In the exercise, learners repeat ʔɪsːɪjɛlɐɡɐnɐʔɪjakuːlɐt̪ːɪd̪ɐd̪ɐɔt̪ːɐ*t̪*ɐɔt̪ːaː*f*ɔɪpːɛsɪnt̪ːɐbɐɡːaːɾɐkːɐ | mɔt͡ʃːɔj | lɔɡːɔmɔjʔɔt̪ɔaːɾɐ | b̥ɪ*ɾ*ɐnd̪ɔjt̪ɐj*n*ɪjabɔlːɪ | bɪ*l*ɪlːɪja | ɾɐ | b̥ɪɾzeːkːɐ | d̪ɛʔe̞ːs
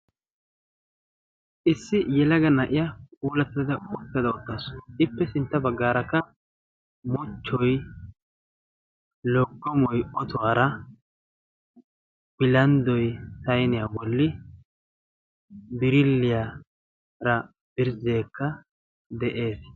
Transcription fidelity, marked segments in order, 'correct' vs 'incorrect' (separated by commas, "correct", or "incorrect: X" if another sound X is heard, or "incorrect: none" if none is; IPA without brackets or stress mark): incorrect: d̪, incorrect: s, incorrect: l, correct, incorrect: ɾ